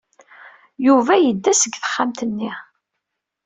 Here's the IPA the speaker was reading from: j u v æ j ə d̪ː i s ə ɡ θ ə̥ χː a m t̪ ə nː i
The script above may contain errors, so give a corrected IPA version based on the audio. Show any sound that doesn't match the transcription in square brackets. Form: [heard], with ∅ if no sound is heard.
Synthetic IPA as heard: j u v æ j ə d̪ː [æ] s ə ɡ θ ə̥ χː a m t̪ ə nː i